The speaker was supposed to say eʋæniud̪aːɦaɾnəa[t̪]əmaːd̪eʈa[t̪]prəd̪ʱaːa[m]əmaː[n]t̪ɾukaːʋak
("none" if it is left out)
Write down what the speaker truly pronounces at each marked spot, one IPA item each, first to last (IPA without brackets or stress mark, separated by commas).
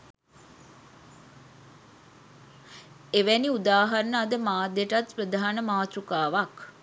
d̪, t̪, n, none